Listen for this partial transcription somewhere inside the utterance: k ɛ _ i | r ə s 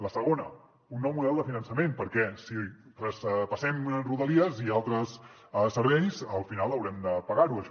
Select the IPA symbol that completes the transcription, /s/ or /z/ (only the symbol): s